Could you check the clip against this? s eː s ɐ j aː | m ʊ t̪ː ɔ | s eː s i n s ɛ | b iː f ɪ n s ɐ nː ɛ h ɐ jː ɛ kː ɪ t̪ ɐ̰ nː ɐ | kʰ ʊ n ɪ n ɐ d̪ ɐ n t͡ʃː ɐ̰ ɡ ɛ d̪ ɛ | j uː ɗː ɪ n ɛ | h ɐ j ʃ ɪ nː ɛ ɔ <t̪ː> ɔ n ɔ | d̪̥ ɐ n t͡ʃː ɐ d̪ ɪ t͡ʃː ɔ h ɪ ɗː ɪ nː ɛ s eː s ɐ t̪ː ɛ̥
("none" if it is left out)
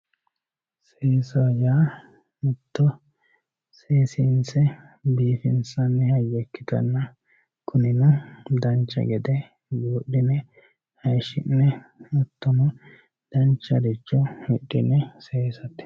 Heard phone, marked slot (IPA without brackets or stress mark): t̪ː